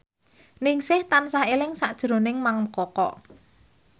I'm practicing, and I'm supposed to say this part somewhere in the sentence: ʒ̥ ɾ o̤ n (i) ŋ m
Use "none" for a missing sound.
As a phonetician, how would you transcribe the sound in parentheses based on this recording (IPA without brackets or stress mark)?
ɪ